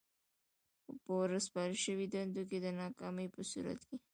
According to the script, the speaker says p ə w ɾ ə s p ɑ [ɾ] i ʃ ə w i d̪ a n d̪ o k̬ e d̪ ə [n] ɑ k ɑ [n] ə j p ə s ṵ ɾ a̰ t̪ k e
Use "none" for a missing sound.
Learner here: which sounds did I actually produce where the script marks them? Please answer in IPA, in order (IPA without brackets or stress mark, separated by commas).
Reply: ɾ, n, m